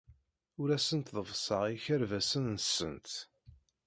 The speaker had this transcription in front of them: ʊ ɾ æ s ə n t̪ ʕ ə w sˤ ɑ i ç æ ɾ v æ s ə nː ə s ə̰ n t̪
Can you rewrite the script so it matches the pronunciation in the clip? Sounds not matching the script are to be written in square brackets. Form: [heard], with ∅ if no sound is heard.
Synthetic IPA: ʊ ɾ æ s ə n t̪ [ð] ə [v] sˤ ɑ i ç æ ɾ v æ s ə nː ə s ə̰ n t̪